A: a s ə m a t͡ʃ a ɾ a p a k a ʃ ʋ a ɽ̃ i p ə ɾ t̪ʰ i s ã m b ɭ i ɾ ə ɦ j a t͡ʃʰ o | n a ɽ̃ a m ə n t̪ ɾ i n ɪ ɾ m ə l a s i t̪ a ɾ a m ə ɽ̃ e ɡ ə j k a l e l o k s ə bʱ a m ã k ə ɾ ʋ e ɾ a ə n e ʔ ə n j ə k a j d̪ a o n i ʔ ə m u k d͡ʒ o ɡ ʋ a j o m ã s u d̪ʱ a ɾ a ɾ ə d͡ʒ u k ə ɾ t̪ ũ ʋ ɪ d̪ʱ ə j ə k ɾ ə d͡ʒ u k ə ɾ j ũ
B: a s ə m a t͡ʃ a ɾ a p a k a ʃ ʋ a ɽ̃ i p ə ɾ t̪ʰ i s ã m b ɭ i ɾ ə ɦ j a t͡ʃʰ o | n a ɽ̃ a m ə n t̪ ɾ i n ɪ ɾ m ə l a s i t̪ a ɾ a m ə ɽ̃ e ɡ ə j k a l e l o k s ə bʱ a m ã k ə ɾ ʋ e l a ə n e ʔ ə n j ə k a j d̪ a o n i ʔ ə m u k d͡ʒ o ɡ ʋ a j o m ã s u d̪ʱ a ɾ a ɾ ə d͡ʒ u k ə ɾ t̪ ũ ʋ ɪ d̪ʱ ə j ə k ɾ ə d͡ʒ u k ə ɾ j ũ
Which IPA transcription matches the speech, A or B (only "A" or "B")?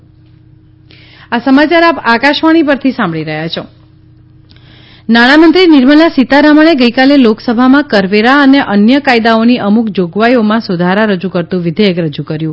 A